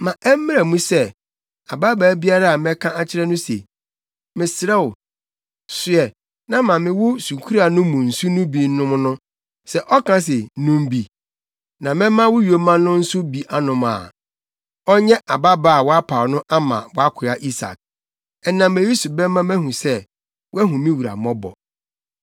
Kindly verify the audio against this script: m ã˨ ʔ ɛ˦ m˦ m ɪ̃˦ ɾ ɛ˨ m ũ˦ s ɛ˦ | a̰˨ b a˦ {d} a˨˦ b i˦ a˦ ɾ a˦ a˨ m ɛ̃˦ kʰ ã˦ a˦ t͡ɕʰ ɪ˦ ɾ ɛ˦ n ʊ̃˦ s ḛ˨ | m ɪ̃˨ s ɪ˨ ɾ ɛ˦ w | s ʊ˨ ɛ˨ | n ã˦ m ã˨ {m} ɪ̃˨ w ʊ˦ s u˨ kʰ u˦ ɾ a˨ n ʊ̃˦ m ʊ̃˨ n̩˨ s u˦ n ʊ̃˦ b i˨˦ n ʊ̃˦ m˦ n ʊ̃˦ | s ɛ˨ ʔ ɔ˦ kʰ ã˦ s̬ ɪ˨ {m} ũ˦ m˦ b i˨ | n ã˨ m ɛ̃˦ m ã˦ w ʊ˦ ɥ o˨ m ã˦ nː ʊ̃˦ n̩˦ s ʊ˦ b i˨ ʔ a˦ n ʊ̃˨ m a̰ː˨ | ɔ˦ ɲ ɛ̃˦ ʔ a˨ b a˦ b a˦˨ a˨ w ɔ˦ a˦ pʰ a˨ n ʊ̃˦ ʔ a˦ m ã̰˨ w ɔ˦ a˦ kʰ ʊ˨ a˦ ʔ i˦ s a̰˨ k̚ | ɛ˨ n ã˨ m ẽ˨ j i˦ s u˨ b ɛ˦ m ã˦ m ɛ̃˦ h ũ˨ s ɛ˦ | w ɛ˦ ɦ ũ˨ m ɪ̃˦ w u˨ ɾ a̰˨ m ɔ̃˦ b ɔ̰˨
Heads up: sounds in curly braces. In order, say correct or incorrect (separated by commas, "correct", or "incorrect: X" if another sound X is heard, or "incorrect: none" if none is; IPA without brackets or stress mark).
incorrect: b, correct, incorrect: n